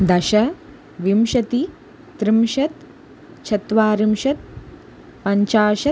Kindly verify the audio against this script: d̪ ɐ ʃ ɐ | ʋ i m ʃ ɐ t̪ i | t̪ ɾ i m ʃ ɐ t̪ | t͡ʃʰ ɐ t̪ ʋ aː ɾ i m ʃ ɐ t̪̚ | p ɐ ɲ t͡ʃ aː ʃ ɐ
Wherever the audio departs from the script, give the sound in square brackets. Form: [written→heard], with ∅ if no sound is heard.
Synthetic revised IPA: d̪ ɐ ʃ ɐ | ʋ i m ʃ ɐ t̪ i | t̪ ɾ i m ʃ ɐ t̪ | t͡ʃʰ ɐ t̪ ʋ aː ɾ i m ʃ ɐ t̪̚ | p ɐ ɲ t͡ʃ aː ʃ ɐ